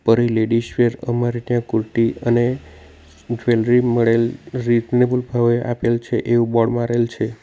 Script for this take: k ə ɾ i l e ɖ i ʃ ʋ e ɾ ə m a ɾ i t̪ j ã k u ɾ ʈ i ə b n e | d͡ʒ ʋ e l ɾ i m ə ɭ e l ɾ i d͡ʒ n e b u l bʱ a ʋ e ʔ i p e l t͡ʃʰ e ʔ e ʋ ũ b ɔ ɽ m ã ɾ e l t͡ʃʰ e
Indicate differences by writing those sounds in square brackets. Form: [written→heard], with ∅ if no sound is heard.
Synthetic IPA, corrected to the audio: [k→p] ə ɾ i l e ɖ i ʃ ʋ e ɾ ə m a ɾ i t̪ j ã k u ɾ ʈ i ə [b→∅] n e | d͡ʒ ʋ e l ɾ i m ə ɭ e l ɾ i d͡ʒ n e b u l bʱ a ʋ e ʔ [i→a] p e l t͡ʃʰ e ʔ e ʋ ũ b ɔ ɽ m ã ɾ e l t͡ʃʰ e